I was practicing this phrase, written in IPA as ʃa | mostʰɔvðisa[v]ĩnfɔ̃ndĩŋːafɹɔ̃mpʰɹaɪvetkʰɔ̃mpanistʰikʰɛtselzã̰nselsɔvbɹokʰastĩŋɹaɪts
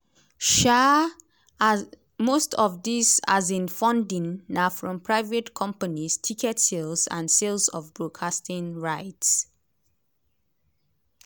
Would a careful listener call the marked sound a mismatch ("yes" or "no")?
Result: yes